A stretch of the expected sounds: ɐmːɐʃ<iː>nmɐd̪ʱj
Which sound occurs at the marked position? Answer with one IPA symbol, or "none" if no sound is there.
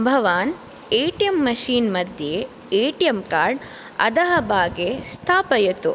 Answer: iː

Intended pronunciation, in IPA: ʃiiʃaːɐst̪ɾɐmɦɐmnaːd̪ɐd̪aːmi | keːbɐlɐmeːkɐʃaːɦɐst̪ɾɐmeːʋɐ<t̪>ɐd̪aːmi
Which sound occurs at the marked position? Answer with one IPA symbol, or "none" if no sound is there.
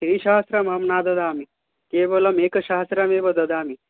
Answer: d̪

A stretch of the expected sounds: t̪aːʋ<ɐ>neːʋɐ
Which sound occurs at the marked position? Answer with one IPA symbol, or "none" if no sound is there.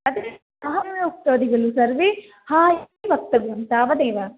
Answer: ɐ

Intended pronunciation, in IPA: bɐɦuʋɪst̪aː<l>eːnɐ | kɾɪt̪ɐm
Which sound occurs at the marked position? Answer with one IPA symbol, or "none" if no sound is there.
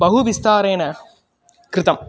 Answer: ɾ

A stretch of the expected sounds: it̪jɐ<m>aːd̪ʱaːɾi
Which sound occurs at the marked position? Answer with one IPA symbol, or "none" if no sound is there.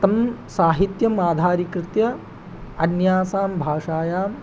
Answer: m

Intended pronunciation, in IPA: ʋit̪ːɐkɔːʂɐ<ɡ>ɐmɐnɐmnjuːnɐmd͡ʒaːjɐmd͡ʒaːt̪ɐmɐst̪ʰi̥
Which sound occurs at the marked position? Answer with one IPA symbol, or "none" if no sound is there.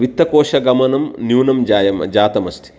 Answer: ɡ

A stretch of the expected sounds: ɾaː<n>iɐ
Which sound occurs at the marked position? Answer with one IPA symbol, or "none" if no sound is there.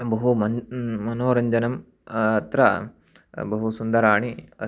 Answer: ɳ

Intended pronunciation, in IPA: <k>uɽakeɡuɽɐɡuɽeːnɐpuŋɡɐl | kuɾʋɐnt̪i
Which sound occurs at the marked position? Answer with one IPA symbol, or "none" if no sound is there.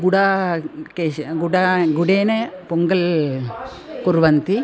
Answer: ɡ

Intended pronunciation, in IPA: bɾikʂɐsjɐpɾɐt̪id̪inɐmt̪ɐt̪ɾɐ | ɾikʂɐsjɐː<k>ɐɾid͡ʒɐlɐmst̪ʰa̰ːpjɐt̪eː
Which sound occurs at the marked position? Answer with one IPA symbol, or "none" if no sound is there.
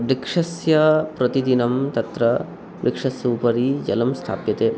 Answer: p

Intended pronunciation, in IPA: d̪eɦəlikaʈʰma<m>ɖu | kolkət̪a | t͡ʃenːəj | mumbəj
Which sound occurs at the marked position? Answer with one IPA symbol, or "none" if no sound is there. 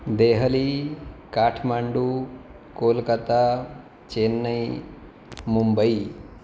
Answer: ɳ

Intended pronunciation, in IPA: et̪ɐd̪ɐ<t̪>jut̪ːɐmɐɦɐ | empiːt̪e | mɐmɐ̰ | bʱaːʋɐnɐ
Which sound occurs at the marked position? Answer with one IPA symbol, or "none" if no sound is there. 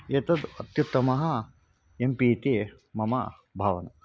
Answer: t̪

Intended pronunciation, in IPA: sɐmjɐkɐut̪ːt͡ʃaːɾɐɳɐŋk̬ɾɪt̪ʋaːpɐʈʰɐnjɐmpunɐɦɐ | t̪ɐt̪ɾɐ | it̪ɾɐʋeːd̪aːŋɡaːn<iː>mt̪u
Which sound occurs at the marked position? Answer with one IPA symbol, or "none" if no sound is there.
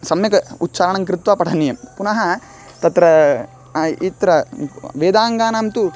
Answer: aː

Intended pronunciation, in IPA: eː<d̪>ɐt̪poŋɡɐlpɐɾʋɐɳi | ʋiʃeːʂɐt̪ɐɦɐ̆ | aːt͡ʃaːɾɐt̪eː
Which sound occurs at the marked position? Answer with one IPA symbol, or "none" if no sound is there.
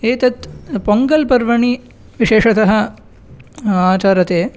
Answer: t̪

